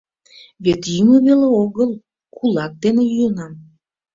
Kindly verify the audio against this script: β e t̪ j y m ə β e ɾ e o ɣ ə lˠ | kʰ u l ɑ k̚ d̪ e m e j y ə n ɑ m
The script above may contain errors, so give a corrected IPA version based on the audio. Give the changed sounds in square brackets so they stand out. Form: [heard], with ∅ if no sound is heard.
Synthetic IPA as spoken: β e t̪ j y m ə β e [l] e o ɣ ə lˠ | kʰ u l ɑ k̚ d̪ e [n] e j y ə n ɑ m